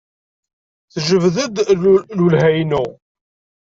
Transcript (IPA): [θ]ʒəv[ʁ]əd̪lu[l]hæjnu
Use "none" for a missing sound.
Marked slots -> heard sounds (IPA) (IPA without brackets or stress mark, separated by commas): θ, ð, l